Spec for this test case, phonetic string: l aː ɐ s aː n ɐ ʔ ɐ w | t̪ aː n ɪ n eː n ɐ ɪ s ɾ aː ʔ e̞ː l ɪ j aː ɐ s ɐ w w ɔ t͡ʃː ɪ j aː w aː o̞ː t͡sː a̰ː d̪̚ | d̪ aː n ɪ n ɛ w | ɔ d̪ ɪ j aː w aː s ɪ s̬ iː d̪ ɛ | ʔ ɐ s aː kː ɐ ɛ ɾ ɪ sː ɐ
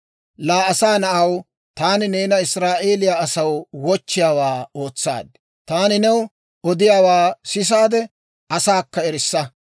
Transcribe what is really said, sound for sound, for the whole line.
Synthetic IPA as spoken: l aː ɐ s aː n ɐ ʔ ɐ w | t̪ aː n ɪ n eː n ɐ ɪ s ɾ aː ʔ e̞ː l ɪ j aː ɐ s ɐ w w ɔ t͡ʃː ɪ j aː w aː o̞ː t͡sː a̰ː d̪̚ | t̪ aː n ɪ n ɛ w | ɔ d̪ ɪ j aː w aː s ɪ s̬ aː d̪ ɛ | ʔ ɐ s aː kː ɐ ɛ ɾ ɪ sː ɐ